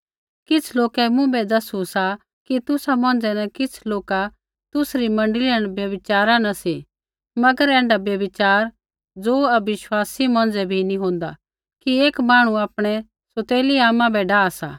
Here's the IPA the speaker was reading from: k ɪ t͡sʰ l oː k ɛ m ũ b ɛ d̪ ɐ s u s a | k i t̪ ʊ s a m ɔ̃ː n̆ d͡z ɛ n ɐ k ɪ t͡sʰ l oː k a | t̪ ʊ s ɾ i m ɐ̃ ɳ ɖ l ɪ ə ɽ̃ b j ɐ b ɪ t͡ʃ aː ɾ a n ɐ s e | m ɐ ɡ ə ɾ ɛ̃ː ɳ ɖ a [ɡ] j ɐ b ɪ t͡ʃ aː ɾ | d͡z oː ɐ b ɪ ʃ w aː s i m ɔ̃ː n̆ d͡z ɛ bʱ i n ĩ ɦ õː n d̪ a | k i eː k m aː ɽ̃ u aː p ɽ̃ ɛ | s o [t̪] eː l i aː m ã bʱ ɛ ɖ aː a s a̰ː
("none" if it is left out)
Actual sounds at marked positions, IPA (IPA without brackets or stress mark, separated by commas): b, t̪